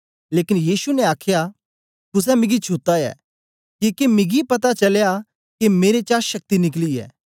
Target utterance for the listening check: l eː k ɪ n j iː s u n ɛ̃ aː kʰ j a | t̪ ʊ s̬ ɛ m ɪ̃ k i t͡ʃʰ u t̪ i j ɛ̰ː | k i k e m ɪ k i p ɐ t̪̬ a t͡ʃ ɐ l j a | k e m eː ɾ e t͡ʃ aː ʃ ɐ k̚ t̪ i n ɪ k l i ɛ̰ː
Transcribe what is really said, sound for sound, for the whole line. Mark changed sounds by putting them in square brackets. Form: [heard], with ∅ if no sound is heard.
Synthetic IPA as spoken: l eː k ɪ n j iː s u n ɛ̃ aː kʰ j a | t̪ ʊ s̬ ɛ m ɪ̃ [ɡ] i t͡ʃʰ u t̪ [a] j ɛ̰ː | k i k e m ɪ [ɡ] i p ɐ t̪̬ a t͡ʃ ɐ l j a | k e m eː ɾ e t͡ʃ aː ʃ ɐ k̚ t̪ i n ɪ k l i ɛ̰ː

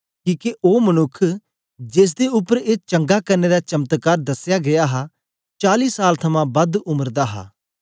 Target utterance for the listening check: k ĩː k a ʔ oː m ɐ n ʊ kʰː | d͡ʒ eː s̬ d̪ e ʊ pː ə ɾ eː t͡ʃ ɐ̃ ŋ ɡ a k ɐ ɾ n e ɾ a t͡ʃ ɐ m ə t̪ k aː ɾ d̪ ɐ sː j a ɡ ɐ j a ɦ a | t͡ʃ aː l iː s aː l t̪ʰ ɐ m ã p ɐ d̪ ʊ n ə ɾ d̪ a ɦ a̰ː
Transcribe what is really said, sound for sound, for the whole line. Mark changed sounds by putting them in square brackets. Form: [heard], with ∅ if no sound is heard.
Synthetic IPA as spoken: k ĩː k [e] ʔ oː m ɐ n ʊ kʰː | d͡ʒ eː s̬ d̪ e ʊ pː ə ɾ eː t͡ʃ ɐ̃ ŋ ɡ a k ɐ ɾ n e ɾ a t͡ʃ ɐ m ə t̪ k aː ɾ d̪ ɐ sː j a ɡ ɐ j a ɦ a | t͡ʃ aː l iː s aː l t̪ʰ ɐ m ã [b] ɐ d̪ ʊ [m] ə ɾ d̪ a ɦ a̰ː

